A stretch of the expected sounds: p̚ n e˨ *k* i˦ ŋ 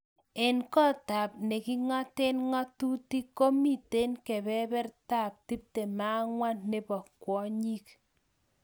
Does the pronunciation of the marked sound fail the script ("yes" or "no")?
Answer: no